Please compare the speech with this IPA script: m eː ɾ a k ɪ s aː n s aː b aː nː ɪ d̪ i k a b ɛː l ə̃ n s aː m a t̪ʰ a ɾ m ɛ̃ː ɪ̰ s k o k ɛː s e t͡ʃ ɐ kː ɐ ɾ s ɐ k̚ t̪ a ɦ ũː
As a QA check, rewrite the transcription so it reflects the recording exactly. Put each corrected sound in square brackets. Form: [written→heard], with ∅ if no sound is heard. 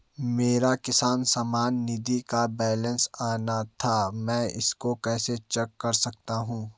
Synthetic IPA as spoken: m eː ɾ a k ɪ s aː n s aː [b→m] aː nː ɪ d̪ i k a b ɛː l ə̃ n s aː [m→n] a t̪ʰ a [ɾ→∅] m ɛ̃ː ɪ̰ s k o k ɛː s e t͡ʃ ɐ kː ɐ ɾ s ɐ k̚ t̪ a ɦ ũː

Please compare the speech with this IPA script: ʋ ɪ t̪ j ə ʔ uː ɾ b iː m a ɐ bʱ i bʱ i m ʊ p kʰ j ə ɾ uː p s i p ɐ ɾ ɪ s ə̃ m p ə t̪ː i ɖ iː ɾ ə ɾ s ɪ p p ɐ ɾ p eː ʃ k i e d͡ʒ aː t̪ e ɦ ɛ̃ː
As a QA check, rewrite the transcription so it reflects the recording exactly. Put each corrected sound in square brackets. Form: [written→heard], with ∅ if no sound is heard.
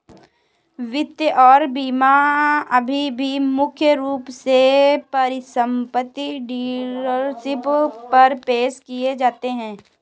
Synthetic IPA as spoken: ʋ ɪ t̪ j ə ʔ [uː→ɔː] ɾ b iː m a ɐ bʱ i bʱ i m ʊ [p→∅] kʰ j ə ɾ uː p s [i→e] p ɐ ɾ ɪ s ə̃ m p ə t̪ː i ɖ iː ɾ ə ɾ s ɪ p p ɐ ɾ p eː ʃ k i e d͡ʒ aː t̪ e ɦ ɛ̃ː

